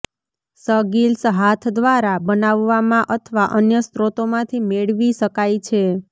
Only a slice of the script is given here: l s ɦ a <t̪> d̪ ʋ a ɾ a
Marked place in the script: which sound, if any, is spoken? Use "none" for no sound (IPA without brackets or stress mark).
t̪ʰ